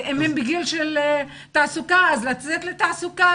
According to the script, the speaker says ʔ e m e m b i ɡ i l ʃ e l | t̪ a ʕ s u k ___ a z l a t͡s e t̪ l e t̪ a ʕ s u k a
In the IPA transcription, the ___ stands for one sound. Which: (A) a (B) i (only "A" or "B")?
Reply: A